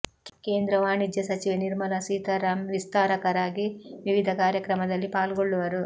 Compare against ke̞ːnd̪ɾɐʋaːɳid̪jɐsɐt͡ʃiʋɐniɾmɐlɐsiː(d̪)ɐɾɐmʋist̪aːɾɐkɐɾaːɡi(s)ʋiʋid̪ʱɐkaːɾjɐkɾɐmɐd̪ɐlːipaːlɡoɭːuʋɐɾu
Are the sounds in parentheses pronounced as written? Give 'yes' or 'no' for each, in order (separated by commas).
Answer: no, no